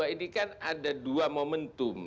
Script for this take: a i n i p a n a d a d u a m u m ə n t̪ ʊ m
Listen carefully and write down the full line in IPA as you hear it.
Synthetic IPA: a i n i k a n a d a d u a m o m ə n t̪ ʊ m